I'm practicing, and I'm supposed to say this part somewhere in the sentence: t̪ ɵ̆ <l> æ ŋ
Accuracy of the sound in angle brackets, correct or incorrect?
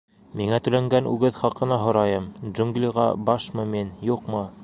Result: correct